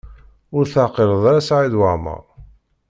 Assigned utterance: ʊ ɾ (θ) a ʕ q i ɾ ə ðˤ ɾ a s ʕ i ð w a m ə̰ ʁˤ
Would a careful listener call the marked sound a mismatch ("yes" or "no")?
no